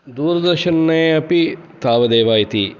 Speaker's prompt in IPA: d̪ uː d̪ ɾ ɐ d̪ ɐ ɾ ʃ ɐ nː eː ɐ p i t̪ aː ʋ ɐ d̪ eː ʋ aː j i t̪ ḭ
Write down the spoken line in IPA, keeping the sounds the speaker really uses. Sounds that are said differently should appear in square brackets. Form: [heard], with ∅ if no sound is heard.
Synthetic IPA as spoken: d̪ uː [∅] ɾ ɐ d̪ ɐ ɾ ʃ ɐ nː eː ɐ p i t̪ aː ʋ ɐ d̪ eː ʋ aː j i t̪ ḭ

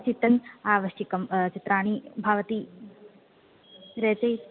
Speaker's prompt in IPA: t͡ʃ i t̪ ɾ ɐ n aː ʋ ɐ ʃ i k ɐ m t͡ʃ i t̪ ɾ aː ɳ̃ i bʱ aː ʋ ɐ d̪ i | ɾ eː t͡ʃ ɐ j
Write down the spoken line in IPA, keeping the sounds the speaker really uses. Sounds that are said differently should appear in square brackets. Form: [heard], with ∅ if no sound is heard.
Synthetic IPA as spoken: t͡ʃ i t̪ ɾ ɐ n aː ʋ ɐ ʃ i k ɐ m t͡ʃ i t̪ ɾ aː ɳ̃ i bʱ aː ʋ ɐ [t̪] i | ɾ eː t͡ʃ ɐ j

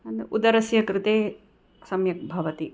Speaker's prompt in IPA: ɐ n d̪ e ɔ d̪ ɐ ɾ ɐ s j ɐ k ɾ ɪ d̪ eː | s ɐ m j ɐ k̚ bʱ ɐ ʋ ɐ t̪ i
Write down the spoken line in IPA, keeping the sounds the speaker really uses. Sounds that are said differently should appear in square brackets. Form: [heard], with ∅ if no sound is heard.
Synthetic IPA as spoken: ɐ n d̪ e [u] d̪ ɐ ɾ ɐ s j ɐ k ɾ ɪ [t̪] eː | s ɐ m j ɐ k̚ bʱ ɐ ʋ ɐ t̪ i

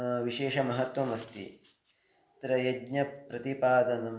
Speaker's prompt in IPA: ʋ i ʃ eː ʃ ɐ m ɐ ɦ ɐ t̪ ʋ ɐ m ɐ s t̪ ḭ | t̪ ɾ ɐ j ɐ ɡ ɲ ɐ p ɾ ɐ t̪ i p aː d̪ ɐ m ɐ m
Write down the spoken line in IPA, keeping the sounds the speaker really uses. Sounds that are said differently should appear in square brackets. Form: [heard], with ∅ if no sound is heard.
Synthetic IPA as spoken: ʋ i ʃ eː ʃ ɐ m ɐ ɦ ɐ t̪ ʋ ɐ m ɐ s t̪ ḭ | t̪ ɾ ɐ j ɐ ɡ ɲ ɐ p ɾ ɐ t̪ i p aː d̪ ɐ [n] ɐ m

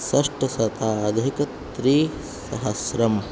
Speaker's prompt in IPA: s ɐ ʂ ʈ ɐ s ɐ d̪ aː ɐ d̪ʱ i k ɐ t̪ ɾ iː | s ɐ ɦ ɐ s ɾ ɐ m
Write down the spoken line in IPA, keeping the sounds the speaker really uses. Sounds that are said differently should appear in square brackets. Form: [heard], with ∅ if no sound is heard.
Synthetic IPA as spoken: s ɐ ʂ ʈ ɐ s ɐ [t̪] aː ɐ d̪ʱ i k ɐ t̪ ɾ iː | s ɐ ɦ ɐ s ɾ ɐ m

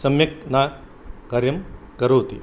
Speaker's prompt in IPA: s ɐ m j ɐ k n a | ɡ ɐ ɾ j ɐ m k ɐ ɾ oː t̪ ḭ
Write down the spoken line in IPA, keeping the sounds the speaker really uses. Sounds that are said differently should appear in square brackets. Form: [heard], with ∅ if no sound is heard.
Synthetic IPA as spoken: s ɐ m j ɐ k n a | [k] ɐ ɾ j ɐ m k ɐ ɾ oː t̪ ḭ

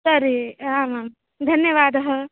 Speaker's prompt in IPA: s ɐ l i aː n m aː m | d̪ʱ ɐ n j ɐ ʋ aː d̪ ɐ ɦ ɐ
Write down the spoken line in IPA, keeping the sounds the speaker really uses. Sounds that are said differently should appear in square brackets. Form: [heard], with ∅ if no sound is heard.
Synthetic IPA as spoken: s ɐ [ɾ] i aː [∅] m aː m | d̪ʱ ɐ n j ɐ ʋ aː d̪ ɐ ɦ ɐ

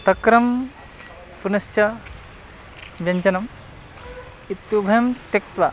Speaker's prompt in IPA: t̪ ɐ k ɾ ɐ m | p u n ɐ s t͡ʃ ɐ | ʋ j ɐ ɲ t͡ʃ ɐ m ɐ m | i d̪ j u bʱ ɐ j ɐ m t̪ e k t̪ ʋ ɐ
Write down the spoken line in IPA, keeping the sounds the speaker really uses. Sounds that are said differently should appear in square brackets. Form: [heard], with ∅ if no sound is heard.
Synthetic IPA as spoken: t̪ ɐ k ɾ ɐ m | p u n ɐ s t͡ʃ ɐ | ʋ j ɐ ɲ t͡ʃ ɐ [n] ɐ m | i [t̪] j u bʱ ɐ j ɐ m t̪ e k t̪ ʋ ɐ

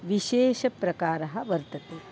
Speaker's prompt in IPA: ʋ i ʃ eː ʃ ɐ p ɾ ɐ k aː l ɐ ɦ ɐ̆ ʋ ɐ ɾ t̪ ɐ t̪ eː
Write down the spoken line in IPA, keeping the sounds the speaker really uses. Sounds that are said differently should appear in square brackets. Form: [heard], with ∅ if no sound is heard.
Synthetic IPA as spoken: ʋ i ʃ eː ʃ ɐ p ɾ ɐ k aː [ɾ] ɐ ɦ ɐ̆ ʋ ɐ ɾ t̪ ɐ t̪ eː

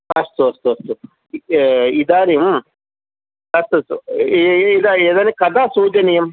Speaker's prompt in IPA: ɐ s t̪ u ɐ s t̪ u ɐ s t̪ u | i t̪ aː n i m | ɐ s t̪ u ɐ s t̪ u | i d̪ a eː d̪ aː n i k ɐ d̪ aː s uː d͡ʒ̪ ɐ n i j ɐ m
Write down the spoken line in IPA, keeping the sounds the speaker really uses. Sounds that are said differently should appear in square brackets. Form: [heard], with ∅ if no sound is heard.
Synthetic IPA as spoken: ɐ s t̪ u ɐ s t̪ u ɐ s t̪ u | i [d̪] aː n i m | ɐ s t̪ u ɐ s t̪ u | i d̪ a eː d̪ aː n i k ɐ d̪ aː s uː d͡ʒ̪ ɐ n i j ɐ m

